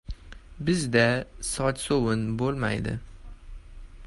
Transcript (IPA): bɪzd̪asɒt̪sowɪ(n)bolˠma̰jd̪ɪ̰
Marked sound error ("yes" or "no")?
no